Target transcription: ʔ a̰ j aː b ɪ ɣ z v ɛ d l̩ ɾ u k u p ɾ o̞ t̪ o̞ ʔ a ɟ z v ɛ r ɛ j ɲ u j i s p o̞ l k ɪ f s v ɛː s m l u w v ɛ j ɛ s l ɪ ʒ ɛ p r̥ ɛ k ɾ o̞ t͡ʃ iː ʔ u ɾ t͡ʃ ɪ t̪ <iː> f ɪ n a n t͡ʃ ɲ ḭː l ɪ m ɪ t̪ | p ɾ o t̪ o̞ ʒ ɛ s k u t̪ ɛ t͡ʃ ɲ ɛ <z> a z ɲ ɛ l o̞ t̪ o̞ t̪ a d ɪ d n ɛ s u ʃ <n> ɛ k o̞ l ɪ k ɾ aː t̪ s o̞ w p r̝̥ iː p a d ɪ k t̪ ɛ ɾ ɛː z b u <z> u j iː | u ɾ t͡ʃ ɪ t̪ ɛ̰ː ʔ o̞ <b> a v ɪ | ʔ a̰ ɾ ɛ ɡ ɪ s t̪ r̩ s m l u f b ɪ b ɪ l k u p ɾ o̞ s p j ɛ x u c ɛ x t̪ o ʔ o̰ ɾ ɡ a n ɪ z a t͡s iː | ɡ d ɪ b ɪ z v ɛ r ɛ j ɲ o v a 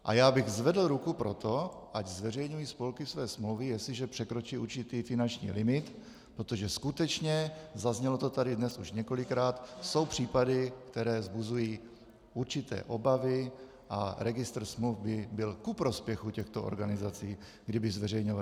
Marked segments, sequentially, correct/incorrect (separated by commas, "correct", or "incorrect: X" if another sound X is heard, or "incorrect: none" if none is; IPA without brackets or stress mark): correct, correct, incorrect: ɲ, correct, correct